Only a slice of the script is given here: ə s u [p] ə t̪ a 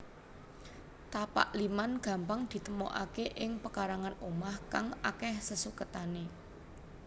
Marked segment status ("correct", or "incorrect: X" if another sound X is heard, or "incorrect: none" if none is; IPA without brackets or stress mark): incorrect: k